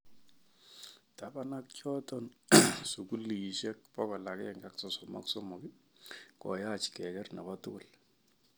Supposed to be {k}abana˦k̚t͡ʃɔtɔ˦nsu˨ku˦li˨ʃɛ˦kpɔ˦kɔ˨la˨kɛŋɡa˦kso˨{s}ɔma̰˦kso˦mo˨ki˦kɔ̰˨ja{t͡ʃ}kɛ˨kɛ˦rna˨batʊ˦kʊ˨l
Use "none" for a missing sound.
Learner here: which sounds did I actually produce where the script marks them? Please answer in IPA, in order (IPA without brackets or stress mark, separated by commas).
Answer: t, s, t͡ʃ